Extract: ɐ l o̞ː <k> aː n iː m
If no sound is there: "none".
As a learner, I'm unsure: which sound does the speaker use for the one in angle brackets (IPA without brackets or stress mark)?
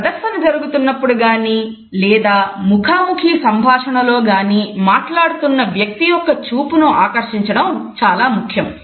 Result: ɡ